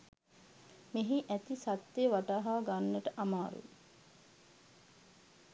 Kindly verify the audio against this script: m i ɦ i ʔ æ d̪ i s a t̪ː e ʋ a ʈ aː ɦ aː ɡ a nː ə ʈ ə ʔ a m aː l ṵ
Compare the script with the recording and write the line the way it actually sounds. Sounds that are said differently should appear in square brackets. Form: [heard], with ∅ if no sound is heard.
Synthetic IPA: m [e] ɦ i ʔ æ [t̪] i s a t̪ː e ʋ a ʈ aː ɦ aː ɡ a nː ə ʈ ə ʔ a m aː [ɾ] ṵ